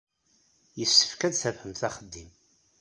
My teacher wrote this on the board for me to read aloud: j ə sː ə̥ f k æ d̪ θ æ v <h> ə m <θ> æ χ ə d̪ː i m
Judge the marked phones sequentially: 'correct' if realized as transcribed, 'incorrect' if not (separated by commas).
correct, correct